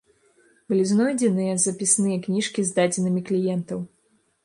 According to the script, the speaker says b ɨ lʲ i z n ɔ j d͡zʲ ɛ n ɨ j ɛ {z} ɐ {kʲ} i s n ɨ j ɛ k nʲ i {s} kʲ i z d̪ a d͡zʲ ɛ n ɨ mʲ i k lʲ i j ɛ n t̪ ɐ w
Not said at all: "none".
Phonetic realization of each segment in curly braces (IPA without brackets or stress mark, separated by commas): z, pʲ, ʂ